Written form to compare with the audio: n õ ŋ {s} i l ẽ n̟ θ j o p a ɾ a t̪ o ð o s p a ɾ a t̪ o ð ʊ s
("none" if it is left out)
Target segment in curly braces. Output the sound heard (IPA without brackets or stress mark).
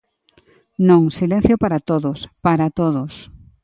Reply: s